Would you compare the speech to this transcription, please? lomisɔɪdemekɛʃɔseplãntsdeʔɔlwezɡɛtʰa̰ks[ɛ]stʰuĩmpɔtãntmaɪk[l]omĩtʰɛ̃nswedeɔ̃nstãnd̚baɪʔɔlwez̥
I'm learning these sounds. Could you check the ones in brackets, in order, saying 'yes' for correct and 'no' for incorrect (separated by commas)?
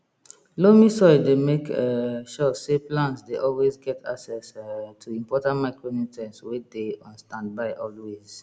yes, no